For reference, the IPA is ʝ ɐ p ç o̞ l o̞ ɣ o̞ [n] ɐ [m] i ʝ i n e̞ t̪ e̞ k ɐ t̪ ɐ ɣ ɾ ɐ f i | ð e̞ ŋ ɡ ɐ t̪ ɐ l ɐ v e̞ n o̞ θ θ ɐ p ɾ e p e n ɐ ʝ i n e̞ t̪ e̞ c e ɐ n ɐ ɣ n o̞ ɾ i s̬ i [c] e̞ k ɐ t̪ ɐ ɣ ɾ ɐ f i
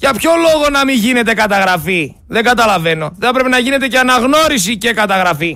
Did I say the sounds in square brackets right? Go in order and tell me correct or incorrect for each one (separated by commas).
correct, correct, correct